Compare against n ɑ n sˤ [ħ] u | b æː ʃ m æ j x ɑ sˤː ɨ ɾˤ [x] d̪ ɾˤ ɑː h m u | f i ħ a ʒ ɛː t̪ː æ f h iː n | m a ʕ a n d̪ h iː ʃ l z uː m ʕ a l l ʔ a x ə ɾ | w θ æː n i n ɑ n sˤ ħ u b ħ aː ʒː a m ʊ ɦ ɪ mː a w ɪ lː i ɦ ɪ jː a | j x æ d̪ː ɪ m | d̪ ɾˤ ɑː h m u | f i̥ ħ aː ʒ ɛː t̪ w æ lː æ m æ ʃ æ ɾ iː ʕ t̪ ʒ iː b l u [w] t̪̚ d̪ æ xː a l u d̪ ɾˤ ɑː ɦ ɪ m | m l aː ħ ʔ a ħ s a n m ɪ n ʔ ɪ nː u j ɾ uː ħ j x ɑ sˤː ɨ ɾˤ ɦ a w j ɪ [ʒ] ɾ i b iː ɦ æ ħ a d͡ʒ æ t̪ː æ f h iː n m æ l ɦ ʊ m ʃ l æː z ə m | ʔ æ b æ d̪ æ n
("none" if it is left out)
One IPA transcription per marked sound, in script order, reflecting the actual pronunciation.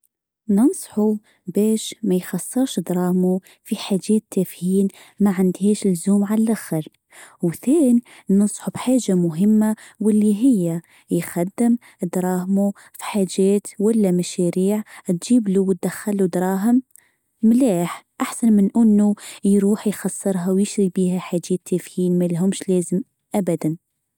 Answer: ħ, ʃ, w, ʃ

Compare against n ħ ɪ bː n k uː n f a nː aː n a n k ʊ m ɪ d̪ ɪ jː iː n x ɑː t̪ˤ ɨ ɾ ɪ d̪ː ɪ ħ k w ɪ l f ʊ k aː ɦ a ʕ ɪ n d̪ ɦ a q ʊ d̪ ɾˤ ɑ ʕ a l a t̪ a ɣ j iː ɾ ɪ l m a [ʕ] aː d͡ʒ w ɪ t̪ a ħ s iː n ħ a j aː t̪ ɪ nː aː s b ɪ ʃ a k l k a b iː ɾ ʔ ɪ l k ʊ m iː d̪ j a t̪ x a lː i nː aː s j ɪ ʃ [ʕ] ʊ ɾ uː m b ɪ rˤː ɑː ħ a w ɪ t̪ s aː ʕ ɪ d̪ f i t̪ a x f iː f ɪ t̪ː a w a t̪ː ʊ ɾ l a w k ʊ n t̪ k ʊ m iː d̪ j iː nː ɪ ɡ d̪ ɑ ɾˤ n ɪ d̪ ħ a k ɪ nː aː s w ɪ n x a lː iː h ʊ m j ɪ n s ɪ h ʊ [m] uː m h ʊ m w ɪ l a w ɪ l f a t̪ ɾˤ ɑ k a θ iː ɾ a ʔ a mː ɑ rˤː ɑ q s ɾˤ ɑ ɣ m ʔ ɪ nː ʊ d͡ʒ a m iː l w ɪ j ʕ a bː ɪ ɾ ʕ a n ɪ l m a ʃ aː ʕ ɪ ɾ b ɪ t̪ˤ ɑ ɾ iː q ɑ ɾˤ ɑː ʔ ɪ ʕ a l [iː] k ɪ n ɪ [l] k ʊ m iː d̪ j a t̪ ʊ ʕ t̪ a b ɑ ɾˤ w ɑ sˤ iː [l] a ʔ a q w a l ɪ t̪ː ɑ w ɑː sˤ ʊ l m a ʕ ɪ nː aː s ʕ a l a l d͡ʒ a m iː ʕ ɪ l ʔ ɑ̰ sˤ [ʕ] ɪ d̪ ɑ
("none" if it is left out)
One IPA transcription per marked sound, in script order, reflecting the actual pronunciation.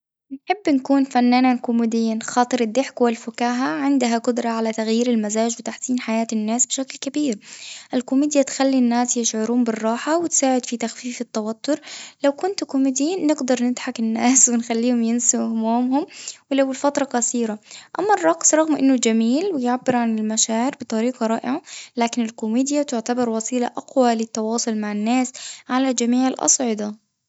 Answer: z, ʕ, m, aː, l, l, ʕ

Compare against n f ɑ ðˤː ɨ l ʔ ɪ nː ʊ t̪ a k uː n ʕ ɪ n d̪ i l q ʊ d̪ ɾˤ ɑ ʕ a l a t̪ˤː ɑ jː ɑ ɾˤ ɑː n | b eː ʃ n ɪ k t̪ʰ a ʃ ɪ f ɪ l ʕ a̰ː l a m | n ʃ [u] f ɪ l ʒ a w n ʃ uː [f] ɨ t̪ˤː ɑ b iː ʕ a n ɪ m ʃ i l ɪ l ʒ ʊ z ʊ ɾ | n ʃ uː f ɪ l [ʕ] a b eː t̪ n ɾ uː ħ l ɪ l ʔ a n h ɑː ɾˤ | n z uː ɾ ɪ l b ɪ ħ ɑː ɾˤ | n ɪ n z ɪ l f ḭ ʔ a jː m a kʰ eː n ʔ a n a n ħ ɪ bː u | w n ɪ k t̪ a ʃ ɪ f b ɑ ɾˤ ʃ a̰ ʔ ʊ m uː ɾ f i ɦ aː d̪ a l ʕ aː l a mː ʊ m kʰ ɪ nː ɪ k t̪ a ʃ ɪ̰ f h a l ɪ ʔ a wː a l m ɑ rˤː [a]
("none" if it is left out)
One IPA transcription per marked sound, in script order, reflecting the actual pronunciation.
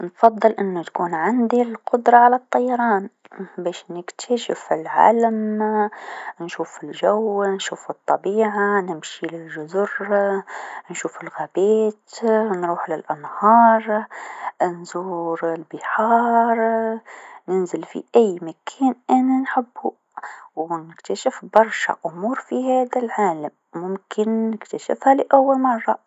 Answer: uː, f, ɣ, ɑ

